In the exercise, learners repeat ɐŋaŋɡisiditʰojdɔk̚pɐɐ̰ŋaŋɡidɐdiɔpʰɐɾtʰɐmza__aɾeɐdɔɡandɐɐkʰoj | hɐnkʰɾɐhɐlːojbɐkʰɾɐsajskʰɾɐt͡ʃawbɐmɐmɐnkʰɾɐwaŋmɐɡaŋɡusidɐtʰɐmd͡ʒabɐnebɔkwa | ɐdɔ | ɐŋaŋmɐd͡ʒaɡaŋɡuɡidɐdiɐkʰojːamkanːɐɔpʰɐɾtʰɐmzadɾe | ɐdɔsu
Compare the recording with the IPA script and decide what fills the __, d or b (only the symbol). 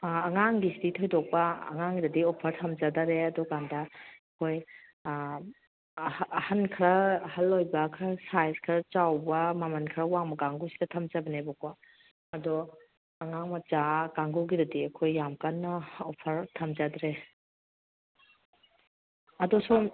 d